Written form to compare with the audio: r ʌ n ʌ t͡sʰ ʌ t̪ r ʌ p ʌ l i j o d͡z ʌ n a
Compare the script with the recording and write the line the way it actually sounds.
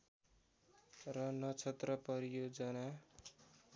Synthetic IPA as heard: r ʌ n ʌ t͡sʰ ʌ t̪ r ʌ p ʌ ɾ i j o d͡z ʌ n a